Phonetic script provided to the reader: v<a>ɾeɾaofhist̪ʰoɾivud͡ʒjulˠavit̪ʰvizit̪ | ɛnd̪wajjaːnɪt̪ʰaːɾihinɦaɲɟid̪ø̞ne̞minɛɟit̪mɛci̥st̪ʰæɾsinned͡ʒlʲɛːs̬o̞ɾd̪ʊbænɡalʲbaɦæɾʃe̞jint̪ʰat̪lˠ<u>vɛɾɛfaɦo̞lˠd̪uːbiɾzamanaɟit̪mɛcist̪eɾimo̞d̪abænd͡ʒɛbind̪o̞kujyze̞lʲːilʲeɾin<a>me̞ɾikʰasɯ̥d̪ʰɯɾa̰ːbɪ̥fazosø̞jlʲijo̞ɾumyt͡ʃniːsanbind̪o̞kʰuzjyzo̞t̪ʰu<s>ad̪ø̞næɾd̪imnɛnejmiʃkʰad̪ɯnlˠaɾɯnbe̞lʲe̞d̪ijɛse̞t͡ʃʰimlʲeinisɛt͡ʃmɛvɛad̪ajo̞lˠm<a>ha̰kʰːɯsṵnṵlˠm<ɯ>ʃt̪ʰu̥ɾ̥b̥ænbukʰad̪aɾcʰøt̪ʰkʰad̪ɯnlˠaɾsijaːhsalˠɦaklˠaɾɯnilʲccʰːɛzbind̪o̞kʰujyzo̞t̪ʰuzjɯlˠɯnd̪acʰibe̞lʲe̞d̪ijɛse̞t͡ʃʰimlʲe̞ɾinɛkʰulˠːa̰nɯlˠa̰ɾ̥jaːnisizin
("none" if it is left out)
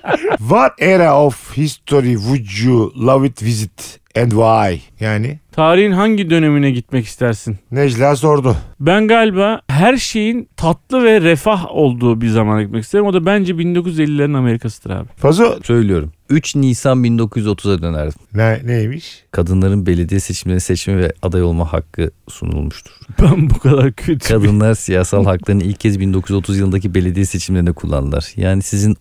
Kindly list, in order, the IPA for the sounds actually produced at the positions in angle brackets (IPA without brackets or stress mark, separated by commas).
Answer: a, ɯ, a, z, a, u